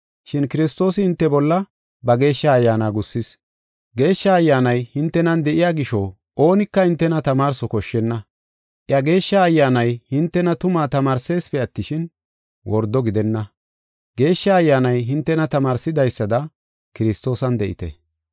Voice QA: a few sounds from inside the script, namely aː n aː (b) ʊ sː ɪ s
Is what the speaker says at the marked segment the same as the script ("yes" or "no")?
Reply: no